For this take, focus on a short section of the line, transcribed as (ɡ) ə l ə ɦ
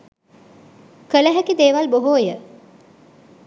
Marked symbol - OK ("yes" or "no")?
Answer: no